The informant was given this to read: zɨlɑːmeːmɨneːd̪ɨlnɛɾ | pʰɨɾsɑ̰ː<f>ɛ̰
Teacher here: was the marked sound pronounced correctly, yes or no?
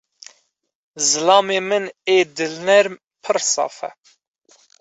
yes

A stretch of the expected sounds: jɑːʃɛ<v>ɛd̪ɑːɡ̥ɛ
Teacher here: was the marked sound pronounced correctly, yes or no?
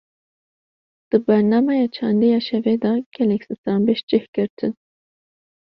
yes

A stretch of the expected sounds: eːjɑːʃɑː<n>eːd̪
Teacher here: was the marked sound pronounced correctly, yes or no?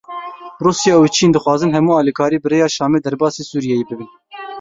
no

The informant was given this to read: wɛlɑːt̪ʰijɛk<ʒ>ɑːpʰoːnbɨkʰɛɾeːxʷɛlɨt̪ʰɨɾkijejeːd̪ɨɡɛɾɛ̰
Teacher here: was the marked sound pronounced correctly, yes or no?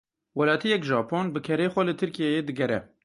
yes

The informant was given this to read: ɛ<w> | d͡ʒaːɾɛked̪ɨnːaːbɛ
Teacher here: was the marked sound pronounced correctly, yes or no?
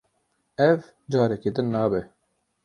no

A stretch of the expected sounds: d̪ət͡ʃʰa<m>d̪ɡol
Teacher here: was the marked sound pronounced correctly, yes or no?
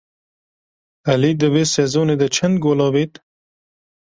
no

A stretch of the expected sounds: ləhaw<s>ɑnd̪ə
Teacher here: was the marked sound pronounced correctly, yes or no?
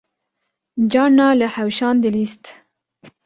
no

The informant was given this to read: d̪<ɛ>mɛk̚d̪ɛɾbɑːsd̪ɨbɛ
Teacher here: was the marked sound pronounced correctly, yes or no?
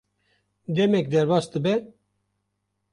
yes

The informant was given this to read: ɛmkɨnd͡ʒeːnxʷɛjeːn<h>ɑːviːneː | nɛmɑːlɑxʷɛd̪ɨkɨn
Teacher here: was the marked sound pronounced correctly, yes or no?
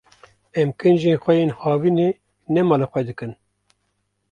yes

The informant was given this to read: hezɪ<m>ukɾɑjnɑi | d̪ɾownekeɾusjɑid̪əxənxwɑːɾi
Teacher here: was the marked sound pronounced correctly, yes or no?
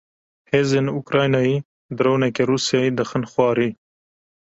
no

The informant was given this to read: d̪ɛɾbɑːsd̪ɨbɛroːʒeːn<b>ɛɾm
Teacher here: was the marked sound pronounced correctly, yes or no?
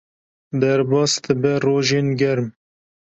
no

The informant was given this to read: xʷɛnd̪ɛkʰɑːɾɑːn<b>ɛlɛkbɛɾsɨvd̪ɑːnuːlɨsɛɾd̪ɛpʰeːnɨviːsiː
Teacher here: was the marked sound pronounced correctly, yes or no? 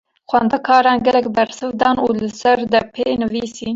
no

